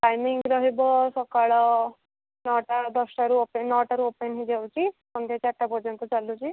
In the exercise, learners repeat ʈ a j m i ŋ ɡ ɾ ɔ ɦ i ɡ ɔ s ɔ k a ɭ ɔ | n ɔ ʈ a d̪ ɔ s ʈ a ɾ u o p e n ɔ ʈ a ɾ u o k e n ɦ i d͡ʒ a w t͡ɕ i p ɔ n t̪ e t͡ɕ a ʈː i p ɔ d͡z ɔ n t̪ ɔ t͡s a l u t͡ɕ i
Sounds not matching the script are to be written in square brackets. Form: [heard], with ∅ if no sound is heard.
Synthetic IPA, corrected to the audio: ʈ a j m i ŋ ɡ ɾ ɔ ɦ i [b] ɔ s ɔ k a ɭ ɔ | n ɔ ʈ a d̪ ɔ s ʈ a ɾ u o p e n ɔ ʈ a ɾ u o [p] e n ɦ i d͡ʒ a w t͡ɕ i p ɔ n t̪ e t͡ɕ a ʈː [a] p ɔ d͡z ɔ n t̪ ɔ t͡s a l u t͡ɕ i

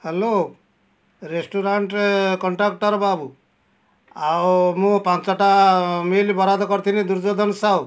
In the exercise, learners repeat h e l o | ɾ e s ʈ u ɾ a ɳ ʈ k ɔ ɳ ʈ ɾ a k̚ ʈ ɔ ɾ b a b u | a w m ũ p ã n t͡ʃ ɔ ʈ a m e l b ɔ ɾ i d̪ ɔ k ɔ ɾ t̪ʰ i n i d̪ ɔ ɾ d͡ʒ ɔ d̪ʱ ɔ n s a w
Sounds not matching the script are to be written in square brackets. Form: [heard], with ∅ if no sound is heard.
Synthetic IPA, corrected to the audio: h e l o | ɾ e s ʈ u ɾ a ɳ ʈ k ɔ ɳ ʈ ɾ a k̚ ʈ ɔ ɾ b a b u | a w m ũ p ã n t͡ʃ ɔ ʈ a m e l b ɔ ɾ [a] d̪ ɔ k ɔ ɾ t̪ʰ i n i d̪ [u] ɾ d͡ʒ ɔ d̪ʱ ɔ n s a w

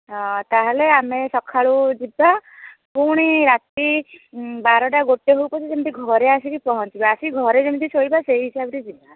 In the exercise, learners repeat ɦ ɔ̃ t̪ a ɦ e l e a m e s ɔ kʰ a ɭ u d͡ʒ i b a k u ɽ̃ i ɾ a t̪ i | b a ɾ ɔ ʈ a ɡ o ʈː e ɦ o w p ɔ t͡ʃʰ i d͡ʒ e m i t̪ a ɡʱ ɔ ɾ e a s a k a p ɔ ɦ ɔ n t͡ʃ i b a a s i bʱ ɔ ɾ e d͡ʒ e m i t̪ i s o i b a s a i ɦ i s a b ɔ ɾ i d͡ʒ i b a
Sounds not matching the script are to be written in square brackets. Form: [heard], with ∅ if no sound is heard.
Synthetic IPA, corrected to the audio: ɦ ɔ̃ t̪ a ɦ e l e a m e s ɔ kʰ a ɭ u d͡ʒ i b a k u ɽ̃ i ɾ a t̪ i | b a ɾ ɔ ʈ a ɡ o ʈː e ɦ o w p ɔ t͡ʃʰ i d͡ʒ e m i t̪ [i] ɡʱ ɔ ɾ e a s [i] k [i] p ɔ ɦ ɔ n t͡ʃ i b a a s i [ɡʱ] ɔ ɾ e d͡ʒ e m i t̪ i s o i b a s [e] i ɦ i s a b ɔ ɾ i d͡ʒ i b a

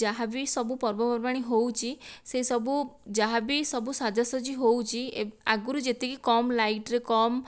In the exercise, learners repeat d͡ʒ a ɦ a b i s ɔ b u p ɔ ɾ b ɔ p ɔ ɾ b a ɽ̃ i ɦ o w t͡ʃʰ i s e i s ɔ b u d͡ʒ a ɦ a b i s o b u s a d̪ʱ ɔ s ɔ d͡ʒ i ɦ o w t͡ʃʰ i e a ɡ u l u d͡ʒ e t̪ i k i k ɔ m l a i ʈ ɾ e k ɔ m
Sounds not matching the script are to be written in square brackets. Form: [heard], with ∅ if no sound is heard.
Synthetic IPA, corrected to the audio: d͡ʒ a ɦ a b i s ɔ b u p ɔ ɾ b ɔ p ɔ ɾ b a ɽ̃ i ɦ o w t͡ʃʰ i s e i s ɔ b u d͡ʒ a ɦ a b i s [ɔ] b u s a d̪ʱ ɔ s ɔ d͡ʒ i ɦ o w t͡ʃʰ i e a ɡ u [ɾ] u d͡ʒ e t̪ i k i k ɔ m l a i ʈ ɾ e k ɔ m

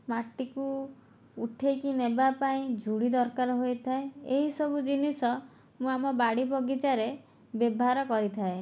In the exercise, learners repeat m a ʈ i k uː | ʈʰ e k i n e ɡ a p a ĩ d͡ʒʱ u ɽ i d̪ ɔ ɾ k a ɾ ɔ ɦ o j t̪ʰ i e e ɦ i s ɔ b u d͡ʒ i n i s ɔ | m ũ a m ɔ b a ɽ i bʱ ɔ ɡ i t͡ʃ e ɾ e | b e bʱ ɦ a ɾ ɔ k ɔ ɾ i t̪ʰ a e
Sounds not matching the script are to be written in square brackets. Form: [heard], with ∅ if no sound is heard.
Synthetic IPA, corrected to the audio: m a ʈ i k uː | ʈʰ e k i n e [b] a p a ĩ d͡ʒʱ u ɽ i d̪ ɔ ɾ k a ɾ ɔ ɦ o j t̪ʰ [a] e e ɦ i s ɔ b u d͡ʒ i n i s ɔ | m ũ a m ɔ b a ɽ i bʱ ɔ ɡ i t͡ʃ [a] ɾ e | b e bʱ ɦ a ɾ ɔ k ɔ ɾ i t̪ʰ a e

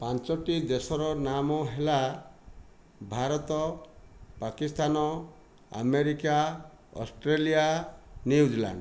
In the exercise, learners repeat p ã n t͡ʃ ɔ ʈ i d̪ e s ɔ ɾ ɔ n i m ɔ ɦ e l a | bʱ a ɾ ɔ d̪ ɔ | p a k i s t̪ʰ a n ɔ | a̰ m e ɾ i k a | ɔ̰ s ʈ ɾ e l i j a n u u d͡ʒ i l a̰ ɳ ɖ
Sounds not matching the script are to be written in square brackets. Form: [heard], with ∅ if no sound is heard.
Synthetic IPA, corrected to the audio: p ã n t͡ʃ ɔ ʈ i d̪ e s ɔ ɾ ɔ n [a] m ɔ ɦ e l a | bʱ a ɾ ɔ [t̪] ɔ | p a k i s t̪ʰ a n ɔ | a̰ m e ɾ i k a | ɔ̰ s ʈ ɾ e l i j a n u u d͡ʒ i l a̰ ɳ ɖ

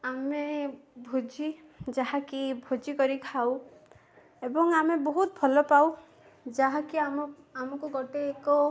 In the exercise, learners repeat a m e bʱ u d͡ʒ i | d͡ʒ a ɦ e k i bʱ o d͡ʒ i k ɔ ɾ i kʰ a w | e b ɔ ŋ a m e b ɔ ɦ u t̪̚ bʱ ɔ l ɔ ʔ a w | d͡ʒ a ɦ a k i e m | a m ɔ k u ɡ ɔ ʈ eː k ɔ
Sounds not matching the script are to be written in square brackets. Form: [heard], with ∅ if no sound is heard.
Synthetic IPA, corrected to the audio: a m e bʱ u d͡ʒ i | d͡ʒ a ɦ [a] k i bʱ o d͡ʒ i k ɔ ɾ i kʰ a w | e b ɔ ŋ a m e b ɔ ɦ u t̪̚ bʱ ɔ l ɔ [p] a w | d͡ʒ a ɦ a k i [a] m | a m ɔ k u ɡ ɔ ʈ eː k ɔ

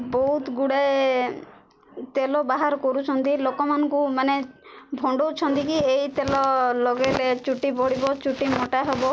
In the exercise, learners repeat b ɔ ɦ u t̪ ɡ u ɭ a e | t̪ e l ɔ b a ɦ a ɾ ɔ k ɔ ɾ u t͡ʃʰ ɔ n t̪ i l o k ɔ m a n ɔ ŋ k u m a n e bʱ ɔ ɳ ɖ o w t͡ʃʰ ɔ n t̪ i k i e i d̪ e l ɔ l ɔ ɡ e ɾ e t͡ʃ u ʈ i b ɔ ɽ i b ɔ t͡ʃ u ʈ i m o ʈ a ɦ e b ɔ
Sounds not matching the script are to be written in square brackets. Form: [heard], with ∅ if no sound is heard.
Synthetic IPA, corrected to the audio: b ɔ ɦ u t̪ ɡ u [ɽ] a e | t̪ e l ɔ b a ɦ a ɾ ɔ k ɔ ɾ u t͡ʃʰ ɔ n t̪ i l o k ɔ m a n ɔ ŋ k u m a n e bʱ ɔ ɳ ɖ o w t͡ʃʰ ɔ n t̪ i k i e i [t̪] e l ɔ l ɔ ɡ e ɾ e t͡ʃ u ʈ i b ɔ ɽ i b ɔ t͡ʃ u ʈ i m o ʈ a ɦ e b ɔ

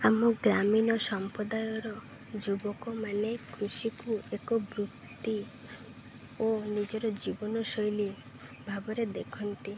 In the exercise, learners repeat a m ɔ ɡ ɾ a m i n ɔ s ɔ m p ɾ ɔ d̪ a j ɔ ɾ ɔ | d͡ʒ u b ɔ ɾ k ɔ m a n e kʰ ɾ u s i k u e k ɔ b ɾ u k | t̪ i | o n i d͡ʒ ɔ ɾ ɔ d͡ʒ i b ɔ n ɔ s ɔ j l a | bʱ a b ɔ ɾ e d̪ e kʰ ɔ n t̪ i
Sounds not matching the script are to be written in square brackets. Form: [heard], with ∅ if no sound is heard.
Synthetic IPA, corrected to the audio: a m ɔ ɡ ɾ a m i n ɔ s ɔ m p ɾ ɔ d̪ a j ɔ ɾ ɔ | d͡ʒ u b ɔ [∅] k ɔ m a n e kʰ ɾ u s i k u e k ɔ b ɾ u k | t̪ i | o n i d͡ʒ ɔ ɾ ɔ d͡ʒ i b ɔ n ɔ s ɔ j l [i] | bʱ a b ɔ ɾ e d̪ e kʰ ɔ n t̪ i

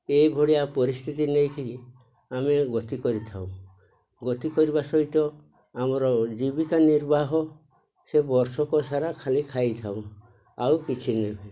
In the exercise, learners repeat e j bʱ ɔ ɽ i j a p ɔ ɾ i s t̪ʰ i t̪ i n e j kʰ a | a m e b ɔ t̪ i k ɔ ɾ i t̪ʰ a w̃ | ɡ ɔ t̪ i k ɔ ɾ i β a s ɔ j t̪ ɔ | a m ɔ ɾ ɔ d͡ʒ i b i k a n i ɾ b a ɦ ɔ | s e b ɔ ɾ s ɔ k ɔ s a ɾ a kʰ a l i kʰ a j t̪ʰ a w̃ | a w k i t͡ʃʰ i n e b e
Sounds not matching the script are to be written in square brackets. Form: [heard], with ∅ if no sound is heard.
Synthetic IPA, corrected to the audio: e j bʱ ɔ ɽ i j a p ɔ ɾ i s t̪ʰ i t̪ i n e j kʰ [i] | a m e [ɡ] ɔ t̪ i k ɔ ɾ i t̪ʰ a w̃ | ɡ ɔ t̪ i k ɔ ɾ i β a s ɔ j t̪ ɔ | a m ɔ ɾ ɔ d͡ʒ i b i k a n i ɾ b a ɦ ɔ | s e b ɔ ɾ s ɔ k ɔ s a ɾ a kʰ a l i kʰ a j t̪ʰ a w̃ | a w k i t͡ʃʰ i n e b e

